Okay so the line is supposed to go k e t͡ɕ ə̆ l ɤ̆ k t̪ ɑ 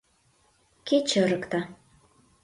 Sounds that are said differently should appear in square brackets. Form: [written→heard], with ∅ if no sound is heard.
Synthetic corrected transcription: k e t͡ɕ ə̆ [l→ɾ] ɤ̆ k t̪ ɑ

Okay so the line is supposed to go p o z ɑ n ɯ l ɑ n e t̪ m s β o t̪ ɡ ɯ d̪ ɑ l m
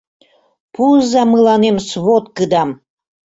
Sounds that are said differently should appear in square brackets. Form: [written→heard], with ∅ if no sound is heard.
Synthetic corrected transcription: p [o→u] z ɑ [n→m] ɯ l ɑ n e [t̪→∅] m s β o t̪ [ɡ→k] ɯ d̪ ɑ [l→∅] m

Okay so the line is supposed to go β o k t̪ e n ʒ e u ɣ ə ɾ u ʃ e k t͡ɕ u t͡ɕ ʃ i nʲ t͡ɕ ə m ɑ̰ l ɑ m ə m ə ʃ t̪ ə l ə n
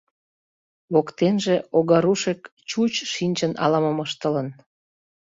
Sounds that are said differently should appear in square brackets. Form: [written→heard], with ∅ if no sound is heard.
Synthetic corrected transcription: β o k t̪ e n ʒ e [u→o] ɣ [ə→ɑ] ɾ u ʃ e k t͡ɕ u t͡ɕ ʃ i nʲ t͡ɕ ə [m→n] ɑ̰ l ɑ m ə m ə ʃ t̪ ə l ə n

